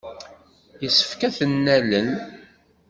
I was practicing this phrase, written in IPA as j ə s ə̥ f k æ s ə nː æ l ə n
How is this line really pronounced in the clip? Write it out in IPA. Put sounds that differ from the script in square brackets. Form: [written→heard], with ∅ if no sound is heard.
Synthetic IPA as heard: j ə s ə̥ f k æ [s→θ] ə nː æ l ə n